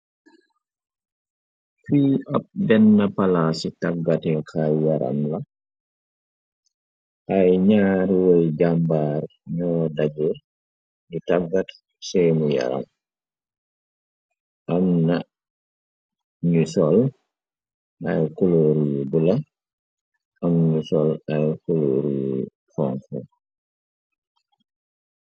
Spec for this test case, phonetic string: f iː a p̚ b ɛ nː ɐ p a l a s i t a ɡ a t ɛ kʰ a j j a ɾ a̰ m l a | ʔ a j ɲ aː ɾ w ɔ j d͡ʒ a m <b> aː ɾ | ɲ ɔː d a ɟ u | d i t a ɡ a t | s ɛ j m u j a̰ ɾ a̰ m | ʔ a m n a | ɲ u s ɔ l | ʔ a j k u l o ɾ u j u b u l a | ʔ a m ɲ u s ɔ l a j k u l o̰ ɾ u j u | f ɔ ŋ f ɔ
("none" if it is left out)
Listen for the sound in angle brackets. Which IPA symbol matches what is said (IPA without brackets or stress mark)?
b